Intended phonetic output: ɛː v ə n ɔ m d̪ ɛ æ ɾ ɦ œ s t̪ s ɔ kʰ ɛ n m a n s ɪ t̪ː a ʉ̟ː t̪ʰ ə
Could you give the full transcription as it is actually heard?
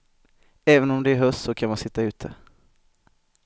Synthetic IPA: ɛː v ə n ɔ m d̪ ɛ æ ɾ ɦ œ s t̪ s ɔ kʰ a n m a n s ɪ t̪ː a ʉ̟ː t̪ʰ ə